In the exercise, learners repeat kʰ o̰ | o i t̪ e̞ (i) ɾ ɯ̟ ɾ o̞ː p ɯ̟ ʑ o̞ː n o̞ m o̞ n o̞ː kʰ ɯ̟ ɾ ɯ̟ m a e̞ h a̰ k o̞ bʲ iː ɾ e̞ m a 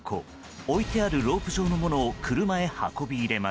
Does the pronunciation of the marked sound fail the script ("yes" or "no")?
yes